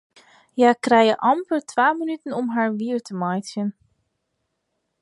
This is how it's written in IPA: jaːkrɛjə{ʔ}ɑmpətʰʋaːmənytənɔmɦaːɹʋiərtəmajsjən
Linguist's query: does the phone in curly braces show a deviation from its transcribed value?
no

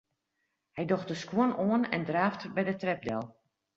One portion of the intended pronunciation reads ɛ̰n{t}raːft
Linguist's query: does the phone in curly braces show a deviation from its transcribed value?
yes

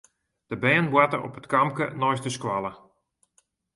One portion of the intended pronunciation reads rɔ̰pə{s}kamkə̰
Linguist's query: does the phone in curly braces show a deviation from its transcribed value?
yes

